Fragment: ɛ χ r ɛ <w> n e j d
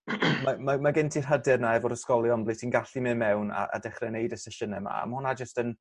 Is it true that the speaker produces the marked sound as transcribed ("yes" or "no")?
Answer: no